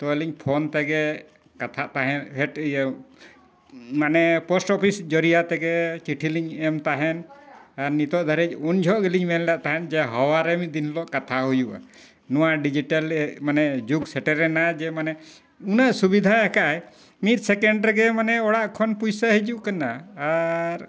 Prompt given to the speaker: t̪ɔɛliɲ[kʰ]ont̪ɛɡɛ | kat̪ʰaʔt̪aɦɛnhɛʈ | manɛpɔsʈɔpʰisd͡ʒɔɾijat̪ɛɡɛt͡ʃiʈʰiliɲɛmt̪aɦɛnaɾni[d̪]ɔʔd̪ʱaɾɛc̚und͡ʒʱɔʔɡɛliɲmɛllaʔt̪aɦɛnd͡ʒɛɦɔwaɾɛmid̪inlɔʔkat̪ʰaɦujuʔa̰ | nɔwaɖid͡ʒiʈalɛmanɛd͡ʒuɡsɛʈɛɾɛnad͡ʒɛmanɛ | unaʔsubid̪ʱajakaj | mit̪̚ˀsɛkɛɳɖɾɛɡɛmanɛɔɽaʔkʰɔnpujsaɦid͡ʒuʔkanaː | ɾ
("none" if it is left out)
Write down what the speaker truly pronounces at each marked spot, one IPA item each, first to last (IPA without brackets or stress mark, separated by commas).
pʰ, t̪